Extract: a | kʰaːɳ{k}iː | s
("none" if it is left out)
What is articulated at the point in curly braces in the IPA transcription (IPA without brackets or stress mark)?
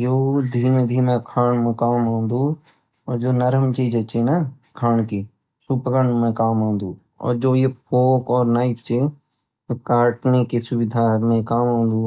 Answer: k